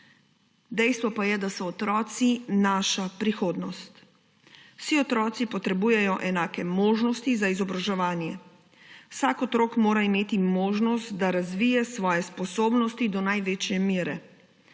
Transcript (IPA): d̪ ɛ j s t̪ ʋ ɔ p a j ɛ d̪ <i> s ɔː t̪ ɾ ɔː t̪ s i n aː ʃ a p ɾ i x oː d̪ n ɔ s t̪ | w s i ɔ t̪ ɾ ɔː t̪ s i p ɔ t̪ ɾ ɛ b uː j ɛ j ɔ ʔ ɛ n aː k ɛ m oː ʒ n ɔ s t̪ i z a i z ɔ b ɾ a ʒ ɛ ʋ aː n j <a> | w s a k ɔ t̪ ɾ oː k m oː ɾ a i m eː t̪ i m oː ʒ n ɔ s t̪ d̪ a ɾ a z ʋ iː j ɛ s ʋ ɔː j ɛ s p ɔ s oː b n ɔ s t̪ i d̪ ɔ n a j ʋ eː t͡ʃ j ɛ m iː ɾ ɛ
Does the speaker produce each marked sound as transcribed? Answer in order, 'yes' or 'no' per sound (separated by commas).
no, no